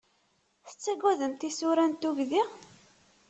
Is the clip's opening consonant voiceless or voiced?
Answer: voiceless